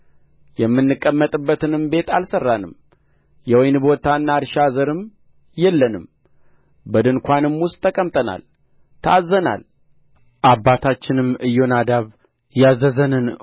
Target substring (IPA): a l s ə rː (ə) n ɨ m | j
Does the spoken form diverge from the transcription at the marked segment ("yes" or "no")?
yes